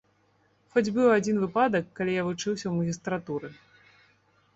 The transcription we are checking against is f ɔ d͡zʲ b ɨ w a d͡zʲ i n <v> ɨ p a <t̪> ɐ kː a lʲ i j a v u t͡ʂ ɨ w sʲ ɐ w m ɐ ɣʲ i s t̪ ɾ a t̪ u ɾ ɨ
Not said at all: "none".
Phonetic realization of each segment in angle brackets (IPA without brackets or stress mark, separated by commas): v, d̪